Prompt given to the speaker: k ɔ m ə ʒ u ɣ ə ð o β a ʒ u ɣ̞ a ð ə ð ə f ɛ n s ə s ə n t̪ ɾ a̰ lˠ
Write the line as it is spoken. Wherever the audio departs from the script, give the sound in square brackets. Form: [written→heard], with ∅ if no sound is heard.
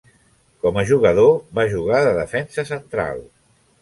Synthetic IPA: k ɔ m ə ʒ u ɣ ə ð o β a ʒ u ɣ̞ a ð ə ð ə f ɛ n s ə s ə n t̪ ɾ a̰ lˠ